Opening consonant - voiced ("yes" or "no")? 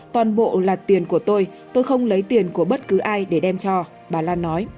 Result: no